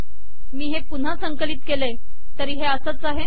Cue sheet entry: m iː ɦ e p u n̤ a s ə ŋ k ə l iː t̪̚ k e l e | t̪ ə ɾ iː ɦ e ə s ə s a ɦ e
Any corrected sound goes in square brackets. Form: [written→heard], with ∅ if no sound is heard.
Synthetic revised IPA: m iː ɦ e p u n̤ a s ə ŋ k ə l iː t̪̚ k e l e | t̪ ə ɾ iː ɦ e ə s ə [s→t͡s] a ɦ e